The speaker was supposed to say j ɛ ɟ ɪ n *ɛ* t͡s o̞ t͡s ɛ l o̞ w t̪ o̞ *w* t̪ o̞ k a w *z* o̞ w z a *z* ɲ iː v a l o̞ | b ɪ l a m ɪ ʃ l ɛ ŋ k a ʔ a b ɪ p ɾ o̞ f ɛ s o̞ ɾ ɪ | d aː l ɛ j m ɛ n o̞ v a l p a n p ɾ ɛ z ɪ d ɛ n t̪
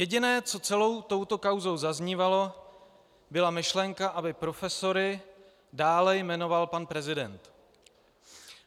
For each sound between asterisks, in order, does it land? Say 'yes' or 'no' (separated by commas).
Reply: no, yes, yes, yes